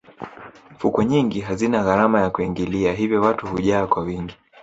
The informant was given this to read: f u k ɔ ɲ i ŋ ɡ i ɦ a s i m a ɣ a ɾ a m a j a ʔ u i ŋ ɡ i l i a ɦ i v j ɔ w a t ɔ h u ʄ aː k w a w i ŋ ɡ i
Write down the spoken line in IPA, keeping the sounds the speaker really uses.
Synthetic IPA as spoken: f u k ɔ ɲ i ŋ ɡ i ɦ a z i n a ɣ a ɾ a m a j a k u i ŋ ɡ i l i a ɦ i v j ɔ w a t u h u ʄ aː k w a w i ŋ ɡ i